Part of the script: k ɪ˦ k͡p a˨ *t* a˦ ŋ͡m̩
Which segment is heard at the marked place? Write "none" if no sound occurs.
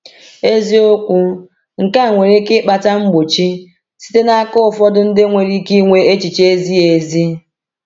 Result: t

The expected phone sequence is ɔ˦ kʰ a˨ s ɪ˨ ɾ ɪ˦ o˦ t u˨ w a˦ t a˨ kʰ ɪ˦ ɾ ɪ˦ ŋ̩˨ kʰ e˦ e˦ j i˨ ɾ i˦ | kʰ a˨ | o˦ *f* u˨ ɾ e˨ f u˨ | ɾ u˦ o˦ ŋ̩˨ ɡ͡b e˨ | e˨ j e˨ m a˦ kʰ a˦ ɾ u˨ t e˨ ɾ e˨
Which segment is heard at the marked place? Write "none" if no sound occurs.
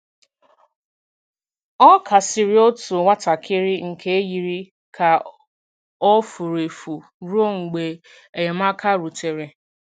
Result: f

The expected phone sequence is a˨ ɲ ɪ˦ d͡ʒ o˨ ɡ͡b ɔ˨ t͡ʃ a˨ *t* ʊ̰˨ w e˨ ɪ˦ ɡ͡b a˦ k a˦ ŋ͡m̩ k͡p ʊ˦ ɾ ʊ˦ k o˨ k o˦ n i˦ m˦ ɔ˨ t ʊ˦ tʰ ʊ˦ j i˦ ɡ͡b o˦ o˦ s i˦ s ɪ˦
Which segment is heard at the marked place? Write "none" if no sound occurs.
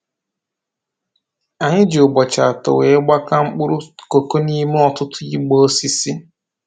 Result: t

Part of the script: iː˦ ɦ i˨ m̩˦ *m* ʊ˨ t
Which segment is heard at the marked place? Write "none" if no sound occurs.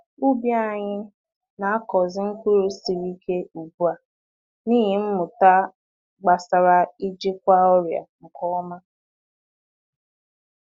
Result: m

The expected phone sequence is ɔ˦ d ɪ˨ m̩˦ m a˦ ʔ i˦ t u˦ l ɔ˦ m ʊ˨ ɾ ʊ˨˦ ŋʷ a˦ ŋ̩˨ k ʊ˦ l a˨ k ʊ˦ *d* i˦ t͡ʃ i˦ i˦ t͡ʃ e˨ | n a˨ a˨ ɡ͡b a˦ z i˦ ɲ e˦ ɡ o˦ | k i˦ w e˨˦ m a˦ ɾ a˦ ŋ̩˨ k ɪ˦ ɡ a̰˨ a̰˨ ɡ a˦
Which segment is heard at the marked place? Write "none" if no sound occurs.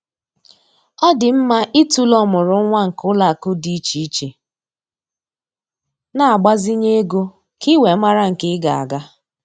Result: d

